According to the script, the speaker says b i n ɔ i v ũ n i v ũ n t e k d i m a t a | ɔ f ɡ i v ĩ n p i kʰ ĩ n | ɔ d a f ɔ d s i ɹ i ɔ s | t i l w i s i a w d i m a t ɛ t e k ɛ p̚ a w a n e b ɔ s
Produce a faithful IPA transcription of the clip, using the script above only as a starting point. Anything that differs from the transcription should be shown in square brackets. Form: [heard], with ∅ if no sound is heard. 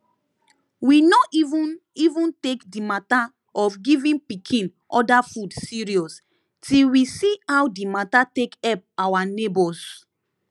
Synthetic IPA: [w] i n ɔ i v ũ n i v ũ n t e k d i m a t a | ɔ f ɡ i v ĩ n p i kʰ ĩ n | ɔ d a f [u] d s i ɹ i ɔ s | t i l w i s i a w d i m a t [a] t e k ɛ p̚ a w a n e b ɔ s